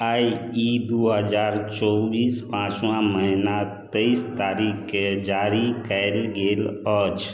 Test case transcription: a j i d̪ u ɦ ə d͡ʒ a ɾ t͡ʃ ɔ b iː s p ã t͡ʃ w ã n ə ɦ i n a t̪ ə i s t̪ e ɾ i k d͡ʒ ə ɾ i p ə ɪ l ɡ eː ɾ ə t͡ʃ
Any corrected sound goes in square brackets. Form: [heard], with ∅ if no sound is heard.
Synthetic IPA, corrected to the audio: a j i d̪ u ɦ ə d͡ʒ a ɾ t͡ʃ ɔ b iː s p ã t͡ʃ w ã [m] ə ɦ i n a t̪ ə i s t̪ [a] ɾ i k d͡ʒ [a] ɾ i [k] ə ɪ l ɡ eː [l] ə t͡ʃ